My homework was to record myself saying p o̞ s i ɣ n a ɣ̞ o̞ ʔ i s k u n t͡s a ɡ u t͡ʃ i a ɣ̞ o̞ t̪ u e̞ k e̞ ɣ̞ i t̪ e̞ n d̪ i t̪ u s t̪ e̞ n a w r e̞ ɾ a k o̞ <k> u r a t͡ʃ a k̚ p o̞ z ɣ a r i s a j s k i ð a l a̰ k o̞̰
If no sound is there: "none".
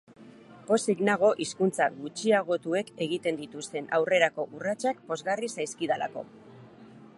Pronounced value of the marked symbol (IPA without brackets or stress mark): ʔ